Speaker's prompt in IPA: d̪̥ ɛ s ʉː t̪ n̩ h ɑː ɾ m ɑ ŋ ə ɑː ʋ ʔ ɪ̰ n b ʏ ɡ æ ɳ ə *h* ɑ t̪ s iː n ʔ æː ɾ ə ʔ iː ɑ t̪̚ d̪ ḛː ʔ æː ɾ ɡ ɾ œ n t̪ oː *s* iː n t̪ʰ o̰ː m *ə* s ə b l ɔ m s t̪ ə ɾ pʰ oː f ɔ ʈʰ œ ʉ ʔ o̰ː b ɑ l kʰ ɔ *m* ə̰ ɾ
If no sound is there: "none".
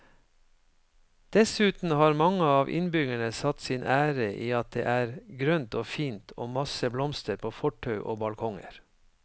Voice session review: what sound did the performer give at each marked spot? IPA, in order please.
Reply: s, f, ɑ, ŋ

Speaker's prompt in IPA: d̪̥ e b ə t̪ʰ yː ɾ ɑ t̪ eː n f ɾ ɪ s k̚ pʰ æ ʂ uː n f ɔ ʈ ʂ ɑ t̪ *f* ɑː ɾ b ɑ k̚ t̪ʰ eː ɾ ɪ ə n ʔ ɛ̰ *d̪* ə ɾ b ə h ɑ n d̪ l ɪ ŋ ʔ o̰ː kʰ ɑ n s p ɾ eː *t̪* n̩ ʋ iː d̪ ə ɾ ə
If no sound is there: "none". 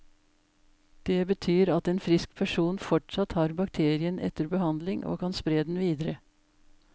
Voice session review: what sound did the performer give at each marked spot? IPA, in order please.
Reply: h, t̪, d̪

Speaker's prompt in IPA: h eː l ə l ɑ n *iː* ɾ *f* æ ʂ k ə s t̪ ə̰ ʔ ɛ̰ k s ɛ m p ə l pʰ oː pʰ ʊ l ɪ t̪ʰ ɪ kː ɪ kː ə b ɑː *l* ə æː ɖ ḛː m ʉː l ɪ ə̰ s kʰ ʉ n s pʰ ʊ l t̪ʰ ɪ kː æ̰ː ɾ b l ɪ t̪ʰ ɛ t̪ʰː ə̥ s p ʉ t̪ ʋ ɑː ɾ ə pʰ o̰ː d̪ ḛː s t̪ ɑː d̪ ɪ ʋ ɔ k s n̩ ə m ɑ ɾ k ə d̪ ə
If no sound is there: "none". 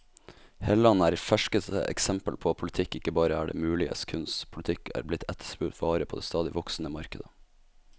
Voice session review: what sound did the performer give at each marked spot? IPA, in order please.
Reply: æː, f, ɾ

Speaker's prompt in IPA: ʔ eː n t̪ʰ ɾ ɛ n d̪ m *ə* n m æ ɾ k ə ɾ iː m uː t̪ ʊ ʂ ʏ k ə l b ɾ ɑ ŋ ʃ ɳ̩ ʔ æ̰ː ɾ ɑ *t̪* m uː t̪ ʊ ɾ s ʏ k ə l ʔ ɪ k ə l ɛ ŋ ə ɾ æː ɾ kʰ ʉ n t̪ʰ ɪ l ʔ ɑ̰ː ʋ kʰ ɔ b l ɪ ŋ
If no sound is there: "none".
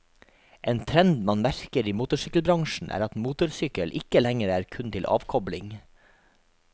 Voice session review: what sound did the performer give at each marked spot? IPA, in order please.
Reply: ɑ, t̪

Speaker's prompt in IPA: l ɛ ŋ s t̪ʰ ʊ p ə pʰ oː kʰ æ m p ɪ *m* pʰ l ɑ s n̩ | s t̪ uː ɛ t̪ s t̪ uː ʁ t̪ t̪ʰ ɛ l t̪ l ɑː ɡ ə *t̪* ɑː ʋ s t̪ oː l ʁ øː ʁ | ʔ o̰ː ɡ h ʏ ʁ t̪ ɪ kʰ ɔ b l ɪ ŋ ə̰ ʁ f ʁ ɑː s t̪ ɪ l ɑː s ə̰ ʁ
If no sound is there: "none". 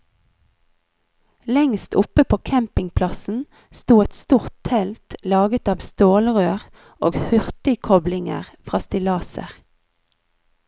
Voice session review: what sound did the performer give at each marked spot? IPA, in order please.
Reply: ŋ, t̪

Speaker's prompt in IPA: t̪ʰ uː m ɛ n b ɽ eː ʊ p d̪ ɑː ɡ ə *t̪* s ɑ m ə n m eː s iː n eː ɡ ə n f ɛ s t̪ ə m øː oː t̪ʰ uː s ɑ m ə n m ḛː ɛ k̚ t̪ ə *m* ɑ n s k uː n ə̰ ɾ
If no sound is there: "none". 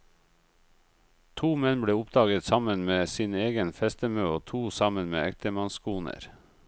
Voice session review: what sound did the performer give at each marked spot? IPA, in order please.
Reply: t̪, m

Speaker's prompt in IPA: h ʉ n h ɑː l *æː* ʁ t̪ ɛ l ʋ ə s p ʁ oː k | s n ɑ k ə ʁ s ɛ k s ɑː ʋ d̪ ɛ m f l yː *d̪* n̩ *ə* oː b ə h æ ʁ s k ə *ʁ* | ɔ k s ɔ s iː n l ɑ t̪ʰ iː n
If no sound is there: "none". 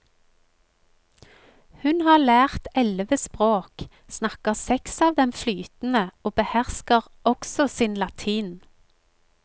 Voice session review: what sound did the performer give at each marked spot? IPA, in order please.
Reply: æː, t̪, ə, ʁ

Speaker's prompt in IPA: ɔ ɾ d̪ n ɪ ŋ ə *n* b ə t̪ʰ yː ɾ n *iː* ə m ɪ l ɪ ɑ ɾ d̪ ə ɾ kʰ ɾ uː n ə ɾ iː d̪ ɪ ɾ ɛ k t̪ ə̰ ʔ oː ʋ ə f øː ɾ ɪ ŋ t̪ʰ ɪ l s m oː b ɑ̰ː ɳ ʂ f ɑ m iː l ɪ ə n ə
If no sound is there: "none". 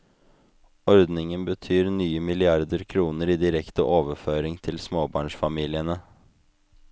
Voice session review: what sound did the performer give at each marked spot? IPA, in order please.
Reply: n, yː

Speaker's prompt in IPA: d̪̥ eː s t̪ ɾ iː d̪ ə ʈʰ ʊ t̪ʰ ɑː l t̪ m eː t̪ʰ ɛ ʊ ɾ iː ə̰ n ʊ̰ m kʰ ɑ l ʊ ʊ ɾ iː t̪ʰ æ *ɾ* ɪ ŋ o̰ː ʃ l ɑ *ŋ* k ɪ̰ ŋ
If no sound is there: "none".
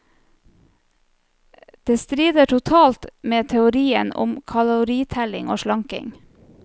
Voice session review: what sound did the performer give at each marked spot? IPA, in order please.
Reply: l, ŋ

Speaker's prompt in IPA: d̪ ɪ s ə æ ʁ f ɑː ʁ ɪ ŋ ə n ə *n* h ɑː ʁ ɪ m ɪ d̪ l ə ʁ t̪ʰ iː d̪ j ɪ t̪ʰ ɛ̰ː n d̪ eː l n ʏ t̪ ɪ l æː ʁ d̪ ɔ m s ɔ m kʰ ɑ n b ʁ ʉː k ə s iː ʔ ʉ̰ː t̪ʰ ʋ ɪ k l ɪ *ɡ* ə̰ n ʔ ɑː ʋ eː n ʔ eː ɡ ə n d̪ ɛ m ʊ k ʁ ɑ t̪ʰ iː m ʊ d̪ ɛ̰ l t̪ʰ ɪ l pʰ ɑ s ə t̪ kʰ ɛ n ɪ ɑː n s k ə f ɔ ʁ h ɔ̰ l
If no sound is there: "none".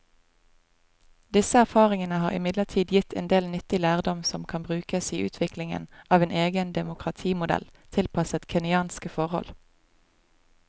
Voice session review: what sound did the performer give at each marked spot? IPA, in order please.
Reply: none, ŋ

